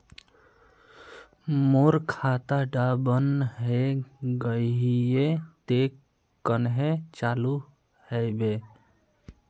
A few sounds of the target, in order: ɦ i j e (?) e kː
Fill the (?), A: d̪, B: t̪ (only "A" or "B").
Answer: B